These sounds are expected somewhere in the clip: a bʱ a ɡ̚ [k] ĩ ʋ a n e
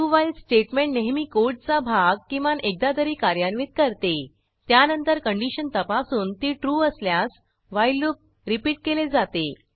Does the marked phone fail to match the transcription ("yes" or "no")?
no